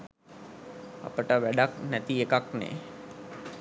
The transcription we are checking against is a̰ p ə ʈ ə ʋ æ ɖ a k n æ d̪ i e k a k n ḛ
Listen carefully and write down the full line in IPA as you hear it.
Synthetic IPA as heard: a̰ p ə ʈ ə ʋ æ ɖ a k n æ t̪ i e k a k n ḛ